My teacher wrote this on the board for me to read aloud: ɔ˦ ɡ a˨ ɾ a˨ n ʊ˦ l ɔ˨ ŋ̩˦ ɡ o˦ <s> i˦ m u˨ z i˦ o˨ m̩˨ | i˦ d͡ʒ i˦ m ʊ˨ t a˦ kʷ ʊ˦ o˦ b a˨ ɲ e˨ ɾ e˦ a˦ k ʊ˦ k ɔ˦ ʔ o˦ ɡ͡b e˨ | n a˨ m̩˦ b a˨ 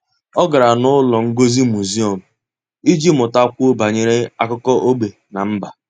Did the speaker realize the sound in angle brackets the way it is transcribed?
no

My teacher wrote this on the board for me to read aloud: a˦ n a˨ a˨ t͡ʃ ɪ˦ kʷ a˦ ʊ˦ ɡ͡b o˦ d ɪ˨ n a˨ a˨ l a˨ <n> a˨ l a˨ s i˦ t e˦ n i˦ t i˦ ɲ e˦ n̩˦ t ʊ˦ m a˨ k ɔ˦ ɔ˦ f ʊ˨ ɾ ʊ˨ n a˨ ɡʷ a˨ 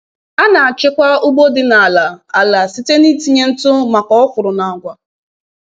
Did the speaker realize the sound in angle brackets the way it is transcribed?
no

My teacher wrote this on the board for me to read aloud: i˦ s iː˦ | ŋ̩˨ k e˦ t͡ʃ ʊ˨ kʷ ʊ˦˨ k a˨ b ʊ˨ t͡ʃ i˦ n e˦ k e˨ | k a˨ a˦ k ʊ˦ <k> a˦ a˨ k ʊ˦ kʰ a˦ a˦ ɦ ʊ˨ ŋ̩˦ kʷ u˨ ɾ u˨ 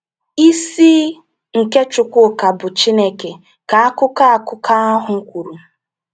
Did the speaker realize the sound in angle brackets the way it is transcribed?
yes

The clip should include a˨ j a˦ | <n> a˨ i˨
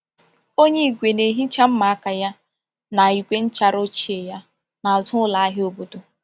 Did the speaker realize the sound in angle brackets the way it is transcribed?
yes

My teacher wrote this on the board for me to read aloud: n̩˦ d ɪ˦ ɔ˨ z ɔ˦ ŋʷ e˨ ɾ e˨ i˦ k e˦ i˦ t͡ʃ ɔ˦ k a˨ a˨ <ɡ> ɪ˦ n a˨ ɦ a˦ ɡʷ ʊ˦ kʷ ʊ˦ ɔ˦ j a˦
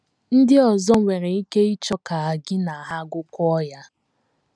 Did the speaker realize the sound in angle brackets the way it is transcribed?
yes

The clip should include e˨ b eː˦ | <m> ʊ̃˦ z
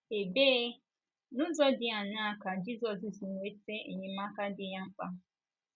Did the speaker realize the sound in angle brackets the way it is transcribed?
no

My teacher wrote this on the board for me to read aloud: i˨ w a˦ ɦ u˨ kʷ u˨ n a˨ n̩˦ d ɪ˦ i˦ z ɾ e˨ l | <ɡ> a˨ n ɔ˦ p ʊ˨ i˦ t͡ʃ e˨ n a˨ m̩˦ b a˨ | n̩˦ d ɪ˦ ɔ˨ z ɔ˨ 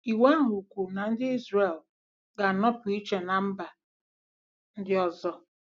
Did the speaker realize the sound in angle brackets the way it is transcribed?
yes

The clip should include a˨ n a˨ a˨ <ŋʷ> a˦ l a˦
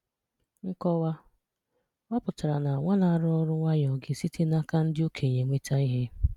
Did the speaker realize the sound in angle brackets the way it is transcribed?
yes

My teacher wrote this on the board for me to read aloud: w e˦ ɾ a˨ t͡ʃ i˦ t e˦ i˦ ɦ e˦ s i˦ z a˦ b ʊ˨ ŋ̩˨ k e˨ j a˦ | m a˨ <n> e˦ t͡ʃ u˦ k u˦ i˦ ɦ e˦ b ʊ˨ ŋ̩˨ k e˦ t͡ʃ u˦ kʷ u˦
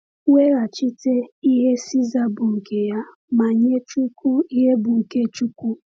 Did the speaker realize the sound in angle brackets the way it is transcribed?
no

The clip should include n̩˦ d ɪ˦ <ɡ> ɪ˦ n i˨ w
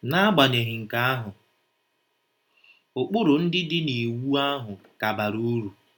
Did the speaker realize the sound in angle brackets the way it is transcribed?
no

